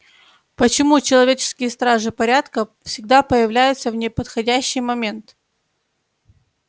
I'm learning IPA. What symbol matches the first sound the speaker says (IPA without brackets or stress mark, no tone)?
p